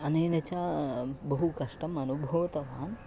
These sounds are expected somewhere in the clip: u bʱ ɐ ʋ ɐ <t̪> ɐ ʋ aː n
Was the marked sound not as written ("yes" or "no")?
no